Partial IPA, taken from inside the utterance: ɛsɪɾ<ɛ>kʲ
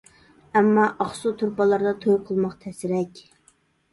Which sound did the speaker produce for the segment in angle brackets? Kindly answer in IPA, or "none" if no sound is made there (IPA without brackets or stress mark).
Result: ɛ